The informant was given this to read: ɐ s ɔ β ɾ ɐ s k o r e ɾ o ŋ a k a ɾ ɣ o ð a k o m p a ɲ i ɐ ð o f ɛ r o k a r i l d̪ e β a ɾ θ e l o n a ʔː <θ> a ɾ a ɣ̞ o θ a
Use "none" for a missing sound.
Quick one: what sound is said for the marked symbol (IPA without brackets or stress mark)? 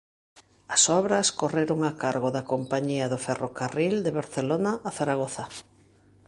θ